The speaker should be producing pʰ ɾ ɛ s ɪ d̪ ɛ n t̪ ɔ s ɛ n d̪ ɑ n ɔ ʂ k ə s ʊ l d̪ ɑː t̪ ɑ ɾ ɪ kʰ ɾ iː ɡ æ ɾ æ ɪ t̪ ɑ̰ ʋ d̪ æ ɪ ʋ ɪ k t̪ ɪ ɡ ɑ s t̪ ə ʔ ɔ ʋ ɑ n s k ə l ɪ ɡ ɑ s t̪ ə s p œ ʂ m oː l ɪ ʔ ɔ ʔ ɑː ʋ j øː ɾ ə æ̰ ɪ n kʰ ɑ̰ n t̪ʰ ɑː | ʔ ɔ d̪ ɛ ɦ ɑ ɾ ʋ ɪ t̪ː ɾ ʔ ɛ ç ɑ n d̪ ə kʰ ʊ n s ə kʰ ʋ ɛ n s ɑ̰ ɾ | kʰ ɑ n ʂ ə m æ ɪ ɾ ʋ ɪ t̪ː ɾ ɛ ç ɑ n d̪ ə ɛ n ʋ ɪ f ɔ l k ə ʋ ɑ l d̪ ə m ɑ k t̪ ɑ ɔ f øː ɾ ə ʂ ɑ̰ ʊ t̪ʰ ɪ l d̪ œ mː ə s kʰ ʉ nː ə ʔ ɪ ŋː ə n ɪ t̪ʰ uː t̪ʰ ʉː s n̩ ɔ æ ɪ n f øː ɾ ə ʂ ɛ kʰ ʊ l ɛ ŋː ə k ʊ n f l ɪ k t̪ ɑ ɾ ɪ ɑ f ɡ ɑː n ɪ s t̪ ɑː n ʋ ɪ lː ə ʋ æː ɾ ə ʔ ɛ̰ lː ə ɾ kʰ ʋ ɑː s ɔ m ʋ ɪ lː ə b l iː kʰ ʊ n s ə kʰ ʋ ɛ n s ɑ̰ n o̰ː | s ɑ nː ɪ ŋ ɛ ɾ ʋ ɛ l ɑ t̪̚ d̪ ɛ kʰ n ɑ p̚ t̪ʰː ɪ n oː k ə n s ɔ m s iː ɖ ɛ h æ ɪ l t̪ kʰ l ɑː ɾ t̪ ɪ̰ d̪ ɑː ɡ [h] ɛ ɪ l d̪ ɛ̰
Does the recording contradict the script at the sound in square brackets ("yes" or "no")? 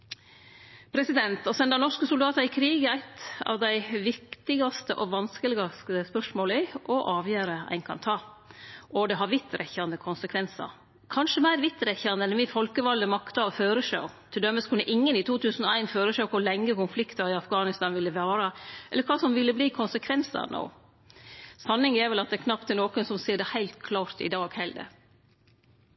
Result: no